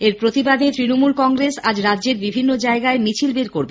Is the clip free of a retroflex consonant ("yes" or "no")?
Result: yes